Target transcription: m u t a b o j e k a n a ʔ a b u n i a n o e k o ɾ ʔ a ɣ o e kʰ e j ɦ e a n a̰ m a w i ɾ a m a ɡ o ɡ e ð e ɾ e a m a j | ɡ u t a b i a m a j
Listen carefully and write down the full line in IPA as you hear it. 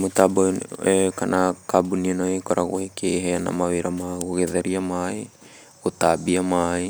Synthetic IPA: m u t a b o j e k a n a k a b u n i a n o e k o ɾ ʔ a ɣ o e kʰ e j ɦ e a n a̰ m a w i ɾ a m a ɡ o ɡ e ð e ɾ i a m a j | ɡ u t a b i a m a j